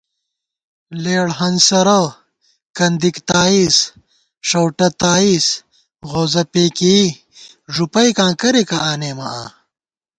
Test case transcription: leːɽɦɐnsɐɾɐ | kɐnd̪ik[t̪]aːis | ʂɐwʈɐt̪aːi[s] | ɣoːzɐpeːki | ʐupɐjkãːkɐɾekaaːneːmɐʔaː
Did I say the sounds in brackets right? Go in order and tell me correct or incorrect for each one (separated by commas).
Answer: correct, correct